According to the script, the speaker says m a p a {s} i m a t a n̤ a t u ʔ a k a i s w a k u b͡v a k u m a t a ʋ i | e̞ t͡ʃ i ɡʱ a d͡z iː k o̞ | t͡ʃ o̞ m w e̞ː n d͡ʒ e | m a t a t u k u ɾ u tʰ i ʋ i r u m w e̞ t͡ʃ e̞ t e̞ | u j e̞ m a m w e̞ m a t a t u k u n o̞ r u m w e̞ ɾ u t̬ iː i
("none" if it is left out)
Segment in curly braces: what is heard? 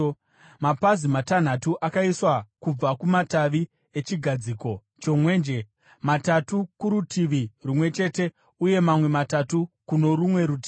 z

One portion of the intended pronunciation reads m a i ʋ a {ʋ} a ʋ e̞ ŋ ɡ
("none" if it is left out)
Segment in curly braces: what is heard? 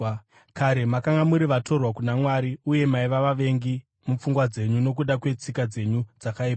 ʋ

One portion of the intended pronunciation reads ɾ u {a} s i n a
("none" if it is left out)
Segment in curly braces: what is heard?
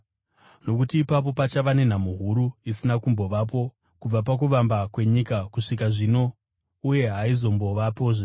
i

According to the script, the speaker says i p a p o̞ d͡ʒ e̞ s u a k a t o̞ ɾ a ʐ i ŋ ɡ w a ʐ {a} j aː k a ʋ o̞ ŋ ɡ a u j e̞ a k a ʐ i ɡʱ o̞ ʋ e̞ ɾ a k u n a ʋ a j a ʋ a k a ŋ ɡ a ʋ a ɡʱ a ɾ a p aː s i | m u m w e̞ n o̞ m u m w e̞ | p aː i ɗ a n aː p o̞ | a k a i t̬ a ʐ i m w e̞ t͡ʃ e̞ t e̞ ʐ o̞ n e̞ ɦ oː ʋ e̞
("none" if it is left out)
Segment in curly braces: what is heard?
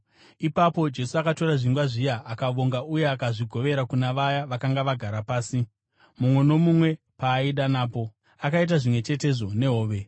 i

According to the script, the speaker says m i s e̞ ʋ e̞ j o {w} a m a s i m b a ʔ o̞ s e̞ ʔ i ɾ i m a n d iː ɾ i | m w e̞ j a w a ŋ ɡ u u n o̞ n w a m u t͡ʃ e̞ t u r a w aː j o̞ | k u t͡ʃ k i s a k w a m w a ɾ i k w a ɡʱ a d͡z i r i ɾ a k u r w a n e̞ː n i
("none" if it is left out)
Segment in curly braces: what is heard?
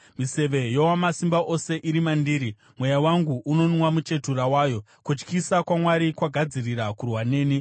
w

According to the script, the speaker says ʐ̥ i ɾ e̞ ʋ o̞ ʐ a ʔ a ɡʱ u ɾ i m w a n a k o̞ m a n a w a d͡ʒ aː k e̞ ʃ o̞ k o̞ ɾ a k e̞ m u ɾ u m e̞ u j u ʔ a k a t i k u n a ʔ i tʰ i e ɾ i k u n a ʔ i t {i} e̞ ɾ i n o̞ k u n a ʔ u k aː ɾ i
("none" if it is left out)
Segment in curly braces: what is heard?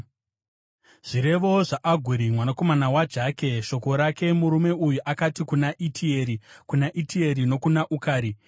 i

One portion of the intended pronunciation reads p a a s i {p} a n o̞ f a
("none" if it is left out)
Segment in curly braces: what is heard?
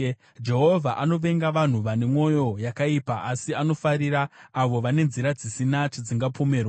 none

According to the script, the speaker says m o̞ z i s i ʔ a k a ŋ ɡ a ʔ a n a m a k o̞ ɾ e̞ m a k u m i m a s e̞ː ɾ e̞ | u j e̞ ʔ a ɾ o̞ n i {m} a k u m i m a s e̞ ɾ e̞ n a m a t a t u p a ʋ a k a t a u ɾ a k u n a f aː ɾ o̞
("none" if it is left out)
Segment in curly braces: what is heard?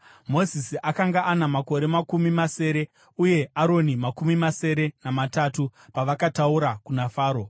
m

